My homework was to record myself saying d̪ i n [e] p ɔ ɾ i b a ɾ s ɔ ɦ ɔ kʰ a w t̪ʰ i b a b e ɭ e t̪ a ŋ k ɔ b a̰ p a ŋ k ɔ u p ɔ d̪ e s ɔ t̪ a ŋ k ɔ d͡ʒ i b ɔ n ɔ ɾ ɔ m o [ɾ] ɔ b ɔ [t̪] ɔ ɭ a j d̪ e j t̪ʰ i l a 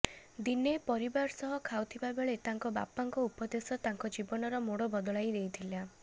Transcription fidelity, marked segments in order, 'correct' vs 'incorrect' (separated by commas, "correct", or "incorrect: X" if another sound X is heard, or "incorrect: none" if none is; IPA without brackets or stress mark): correct, incorrect: ɽ, incorrect: d̪